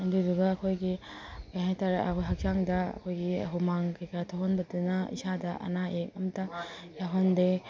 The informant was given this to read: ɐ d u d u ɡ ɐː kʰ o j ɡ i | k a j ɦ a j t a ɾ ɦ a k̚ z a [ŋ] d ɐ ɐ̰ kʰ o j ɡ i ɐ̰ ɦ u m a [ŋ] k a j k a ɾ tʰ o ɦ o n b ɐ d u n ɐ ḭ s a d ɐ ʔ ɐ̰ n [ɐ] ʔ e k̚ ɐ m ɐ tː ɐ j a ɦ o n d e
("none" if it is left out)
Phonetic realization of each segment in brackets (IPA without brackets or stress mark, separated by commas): ŋ, ŋ, a